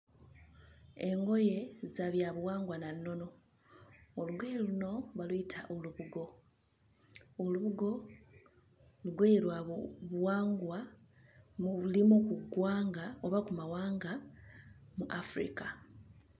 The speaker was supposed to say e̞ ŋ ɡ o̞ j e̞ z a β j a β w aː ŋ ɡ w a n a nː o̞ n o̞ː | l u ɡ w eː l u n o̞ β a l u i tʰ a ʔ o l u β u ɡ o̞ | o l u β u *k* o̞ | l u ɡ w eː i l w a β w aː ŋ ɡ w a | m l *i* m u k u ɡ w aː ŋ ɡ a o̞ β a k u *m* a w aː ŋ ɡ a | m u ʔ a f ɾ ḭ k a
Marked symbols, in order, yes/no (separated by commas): no, yes, yes